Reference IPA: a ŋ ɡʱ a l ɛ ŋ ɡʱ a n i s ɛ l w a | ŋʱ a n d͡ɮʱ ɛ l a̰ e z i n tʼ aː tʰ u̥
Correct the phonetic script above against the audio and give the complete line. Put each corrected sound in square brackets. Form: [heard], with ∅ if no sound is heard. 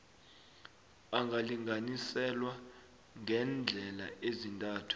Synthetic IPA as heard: a ŋ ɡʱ a l [i] ŋ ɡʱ a n i s ɛ l w a | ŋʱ [ɛ] n d͡ɮʱ ɛ l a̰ e z i n tʼ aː tʰ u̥